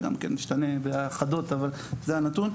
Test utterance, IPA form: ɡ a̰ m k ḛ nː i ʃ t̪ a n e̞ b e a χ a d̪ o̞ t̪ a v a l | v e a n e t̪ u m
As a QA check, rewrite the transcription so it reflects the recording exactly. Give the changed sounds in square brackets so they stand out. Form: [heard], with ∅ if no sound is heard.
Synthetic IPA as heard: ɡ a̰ m k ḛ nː i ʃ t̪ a n e̞ b e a χ a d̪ o̞ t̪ a v a l | [z] e a n [a] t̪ u [n]